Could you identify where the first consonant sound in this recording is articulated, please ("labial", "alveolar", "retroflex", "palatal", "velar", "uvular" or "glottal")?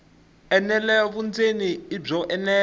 alveolar